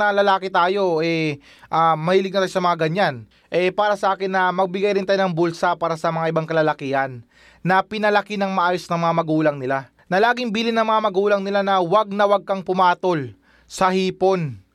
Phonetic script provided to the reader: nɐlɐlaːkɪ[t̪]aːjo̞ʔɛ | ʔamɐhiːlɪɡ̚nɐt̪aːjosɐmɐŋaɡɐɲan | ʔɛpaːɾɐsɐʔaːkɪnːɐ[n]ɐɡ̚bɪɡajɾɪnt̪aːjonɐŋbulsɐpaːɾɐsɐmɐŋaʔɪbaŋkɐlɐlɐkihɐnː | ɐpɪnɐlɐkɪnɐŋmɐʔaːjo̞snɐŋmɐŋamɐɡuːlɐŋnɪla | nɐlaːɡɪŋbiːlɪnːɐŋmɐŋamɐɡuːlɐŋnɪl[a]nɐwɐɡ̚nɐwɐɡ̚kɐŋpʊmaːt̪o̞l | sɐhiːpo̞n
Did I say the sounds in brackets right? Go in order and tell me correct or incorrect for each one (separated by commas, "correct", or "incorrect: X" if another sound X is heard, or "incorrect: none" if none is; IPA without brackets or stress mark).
correct, incorrect: m, correct